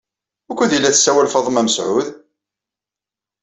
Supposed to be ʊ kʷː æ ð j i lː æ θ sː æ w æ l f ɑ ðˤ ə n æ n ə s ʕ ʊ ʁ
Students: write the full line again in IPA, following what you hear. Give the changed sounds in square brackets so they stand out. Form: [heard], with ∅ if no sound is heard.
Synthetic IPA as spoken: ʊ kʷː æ ð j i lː æ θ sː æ w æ l f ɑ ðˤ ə [m] æ [m] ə s ʕ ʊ [ð]